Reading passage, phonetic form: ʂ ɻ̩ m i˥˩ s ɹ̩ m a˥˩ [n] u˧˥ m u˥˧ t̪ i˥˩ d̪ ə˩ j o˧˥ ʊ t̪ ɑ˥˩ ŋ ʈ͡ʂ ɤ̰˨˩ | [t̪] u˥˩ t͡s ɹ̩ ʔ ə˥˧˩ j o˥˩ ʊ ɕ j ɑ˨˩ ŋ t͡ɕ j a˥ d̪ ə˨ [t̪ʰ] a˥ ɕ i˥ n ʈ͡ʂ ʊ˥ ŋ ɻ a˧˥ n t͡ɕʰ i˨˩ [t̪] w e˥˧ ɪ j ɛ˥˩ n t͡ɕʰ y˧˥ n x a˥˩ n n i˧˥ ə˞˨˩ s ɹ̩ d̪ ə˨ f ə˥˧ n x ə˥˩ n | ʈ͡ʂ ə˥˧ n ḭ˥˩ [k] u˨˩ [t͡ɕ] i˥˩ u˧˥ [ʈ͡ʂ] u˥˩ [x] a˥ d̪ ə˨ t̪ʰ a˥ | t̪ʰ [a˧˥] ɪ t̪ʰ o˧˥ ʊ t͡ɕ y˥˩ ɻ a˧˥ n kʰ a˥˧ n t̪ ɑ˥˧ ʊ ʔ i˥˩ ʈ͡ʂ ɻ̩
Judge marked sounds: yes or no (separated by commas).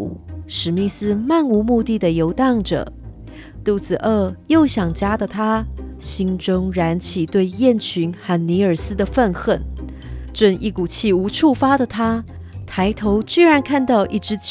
yes, yes, yes, yes, yes, no, no, no, yes